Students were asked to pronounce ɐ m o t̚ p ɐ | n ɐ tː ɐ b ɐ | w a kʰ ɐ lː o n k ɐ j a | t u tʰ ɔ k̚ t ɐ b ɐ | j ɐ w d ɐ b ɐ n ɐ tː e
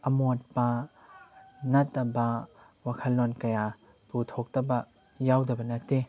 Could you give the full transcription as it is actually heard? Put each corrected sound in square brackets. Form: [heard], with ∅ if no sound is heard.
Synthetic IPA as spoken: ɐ m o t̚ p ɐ | n ɐ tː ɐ b ɐ | w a kʰ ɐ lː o n k ɐ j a | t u tʰ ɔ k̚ t ɐ b ɐ | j [a] w d ɐ b ɐ n ɐ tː e